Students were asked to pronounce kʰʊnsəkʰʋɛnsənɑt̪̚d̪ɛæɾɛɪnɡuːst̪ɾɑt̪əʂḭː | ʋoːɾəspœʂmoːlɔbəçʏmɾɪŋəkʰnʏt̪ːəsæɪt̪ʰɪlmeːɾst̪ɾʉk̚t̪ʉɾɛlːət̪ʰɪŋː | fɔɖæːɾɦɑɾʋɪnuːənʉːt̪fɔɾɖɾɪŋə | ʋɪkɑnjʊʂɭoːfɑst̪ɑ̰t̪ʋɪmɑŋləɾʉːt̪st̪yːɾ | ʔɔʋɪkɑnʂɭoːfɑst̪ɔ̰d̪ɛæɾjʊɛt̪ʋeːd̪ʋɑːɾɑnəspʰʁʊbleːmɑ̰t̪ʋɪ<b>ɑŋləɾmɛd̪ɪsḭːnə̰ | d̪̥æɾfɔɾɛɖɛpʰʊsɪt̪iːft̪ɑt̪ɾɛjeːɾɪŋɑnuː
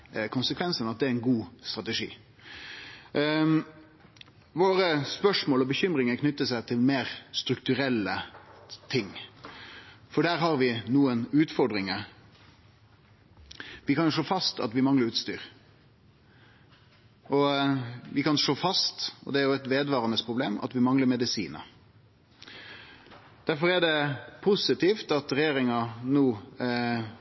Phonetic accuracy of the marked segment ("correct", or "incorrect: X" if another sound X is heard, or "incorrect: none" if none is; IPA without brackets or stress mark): incorrect: m